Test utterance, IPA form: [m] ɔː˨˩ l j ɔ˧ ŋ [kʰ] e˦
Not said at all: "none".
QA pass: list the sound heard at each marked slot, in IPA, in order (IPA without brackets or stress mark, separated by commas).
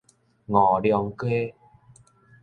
ŋ, k